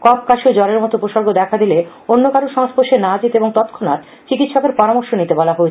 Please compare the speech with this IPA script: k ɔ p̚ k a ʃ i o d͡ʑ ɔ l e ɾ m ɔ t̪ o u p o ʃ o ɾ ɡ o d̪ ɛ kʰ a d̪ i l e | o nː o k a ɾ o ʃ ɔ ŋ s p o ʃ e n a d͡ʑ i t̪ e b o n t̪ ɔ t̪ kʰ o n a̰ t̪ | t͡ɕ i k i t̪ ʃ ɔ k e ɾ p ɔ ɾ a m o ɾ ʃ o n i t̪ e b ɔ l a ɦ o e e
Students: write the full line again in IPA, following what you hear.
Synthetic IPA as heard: k ɔ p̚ k a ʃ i o d͡ʑ ɔ l e ɾ m ɔ t̪ o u p o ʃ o ɾ ɡ o d̪ ɛ kʰ a d̪ i l e | o nː o k a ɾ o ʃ ɔ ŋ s p o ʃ e n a d͡ʑ i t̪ e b o ŋ t̪ ɔ t̪ kʰ o n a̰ t̪ | t͡ɕ i k i t̪ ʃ ɔ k e ɾ p ɔ ɾ a m o ɾ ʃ o n i t̪ e b ɔ l a ɦ o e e